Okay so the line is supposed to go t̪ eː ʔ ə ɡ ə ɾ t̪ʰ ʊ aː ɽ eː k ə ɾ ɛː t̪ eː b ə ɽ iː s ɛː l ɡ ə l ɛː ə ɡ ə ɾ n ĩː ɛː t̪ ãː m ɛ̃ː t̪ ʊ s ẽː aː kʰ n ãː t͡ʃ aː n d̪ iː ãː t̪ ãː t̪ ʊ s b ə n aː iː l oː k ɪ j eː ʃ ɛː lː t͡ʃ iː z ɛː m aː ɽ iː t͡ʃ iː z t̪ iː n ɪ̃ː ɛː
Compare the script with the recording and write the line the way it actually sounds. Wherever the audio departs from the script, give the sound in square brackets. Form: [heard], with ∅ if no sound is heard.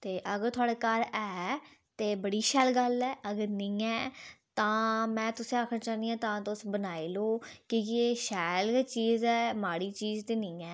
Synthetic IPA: t̪ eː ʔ ə ɡ ə ɾ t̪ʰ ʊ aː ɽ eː k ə ɾ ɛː t̪ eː b ə ɽ iː [ʃ] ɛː l ɡ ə l ɛː ə ɡ ə ɾ n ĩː ɛː t̪ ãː m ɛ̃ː t̪ ʊ s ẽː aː kʰ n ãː t͡ʃ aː n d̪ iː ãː t̪ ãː t̪ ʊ s b ə n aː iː l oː k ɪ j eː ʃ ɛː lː t͡ʃ iː z ɛː m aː ɽ iː t͡ʃ iː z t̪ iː n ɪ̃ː ɛː